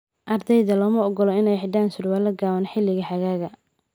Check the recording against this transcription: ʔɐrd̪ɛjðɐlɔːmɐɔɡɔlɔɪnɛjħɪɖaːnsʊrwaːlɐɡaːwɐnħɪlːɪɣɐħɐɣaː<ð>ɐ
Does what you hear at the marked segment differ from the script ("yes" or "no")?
yes